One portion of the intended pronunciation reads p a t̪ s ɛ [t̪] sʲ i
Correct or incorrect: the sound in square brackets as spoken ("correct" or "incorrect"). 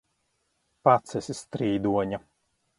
incorrect